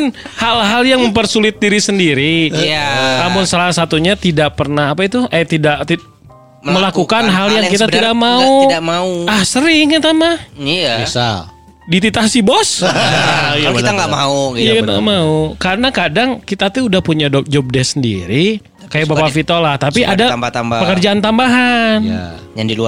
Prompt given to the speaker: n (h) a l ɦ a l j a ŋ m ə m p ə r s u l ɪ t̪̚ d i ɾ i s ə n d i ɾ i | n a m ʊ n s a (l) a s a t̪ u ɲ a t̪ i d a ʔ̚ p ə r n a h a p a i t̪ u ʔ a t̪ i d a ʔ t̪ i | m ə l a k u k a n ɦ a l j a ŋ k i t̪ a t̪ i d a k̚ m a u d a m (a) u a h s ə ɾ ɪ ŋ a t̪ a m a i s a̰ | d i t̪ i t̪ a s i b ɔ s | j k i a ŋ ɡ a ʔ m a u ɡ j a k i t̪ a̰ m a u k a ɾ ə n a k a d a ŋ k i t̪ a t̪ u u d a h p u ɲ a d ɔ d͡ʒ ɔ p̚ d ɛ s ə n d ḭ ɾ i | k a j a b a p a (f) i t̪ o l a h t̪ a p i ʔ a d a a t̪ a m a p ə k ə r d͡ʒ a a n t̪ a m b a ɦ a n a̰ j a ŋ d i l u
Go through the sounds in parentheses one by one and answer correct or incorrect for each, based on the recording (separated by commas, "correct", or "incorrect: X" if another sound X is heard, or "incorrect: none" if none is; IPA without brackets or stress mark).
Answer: correct, correct, correct, correct